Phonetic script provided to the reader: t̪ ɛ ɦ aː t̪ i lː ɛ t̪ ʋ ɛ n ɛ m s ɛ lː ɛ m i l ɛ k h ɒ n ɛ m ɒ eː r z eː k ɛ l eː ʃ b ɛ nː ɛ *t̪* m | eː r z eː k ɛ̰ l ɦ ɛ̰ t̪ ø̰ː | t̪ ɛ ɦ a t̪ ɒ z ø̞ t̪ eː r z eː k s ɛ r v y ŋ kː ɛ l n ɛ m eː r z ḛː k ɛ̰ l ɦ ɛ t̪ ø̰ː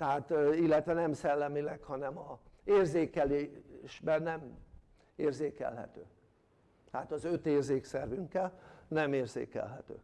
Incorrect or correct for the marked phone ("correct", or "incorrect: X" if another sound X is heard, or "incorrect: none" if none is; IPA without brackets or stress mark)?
incorrect: none